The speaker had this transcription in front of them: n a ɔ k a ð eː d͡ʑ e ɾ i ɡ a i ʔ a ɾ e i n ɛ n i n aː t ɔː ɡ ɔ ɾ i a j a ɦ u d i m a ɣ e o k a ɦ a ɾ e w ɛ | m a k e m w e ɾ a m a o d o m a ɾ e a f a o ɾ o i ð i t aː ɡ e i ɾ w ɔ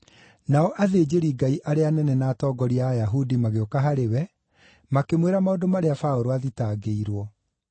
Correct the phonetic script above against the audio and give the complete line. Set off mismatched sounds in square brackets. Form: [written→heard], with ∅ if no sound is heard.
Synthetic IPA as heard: n a ɔ [k→ʔ] a ð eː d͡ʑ e ɾ i ɡ a i ʔ a ɾ e [i→a] n ɛ n [i→ɛ] n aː t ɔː ɡ ɔ ɾ i a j a ɦ u d i m a ɣ e o k a ɦ a ɾ e w ɛ | m a k e m w e ɾ a m a o d o m a ɾ e a f a o ɾ o [i→a] ð i t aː ɡ e i ɾ w ɔ